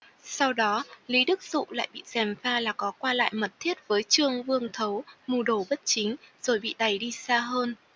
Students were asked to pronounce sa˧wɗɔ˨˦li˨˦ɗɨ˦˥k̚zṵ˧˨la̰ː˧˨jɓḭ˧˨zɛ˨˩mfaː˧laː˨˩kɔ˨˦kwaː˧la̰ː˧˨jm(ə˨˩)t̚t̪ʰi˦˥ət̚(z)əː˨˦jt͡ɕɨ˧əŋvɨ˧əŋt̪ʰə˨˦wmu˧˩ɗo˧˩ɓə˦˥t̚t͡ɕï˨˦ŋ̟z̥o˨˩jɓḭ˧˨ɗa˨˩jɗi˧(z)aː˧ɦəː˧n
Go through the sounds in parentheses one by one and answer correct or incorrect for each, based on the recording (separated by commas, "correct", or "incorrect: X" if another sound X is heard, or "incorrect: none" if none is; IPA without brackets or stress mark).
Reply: correct, incorrect: v, incorrect: s